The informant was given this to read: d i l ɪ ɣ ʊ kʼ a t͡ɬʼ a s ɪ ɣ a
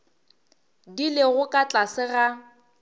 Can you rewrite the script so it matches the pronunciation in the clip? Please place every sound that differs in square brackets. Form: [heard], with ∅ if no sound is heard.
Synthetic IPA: d i l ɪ ɣ ʊ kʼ a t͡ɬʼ a s ɪ ɣ a